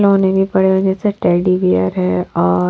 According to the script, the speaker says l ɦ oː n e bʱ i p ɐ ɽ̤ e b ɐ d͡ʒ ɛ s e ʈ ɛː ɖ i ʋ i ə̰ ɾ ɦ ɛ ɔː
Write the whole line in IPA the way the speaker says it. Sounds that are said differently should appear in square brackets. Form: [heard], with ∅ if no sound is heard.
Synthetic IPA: l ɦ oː n e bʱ i p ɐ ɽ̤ e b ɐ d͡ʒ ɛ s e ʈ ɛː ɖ i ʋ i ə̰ ɾ ɦ ɛ ɔː